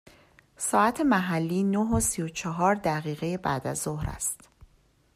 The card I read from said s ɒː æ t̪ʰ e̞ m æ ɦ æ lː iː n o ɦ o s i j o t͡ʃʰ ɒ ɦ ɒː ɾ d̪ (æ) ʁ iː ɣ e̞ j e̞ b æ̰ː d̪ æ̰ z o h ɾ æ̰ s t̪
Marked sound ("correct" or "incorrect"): correct